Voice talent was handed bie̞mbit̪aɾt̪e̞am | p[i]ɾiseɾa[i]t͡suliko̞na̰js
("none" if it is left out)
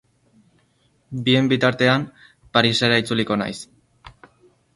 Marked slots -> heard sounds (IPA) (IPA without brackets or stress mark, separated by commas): a, i